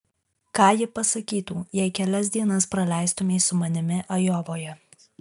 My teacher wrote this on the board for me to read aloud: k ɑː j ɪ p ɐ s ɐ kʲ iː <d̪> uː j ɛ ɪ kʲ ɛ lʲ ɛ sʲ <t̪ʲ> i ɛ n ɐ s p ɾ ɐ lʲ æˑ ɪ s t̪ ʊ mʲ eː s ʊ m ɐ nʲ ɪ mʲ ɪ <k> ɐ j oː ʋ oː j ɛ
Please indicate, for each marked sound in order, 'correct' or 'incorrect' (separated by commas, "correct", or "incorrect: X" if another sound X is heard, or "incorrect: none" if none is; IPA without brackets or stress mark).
incorrect: t̪, incorrect: d̪ʲ, incorrect: ʔ